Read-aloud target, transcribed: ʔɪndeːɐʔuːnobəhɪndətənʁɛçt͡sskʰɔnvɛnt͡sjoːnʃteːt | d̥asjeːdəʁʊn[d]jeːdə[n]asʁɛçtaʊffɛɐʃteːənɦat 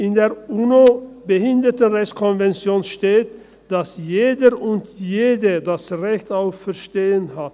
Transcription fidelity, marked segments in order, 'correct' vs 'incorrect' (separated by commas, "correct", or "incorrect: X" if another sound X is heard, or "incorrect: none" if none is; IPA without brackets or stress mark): incorrect: t, incorrect: d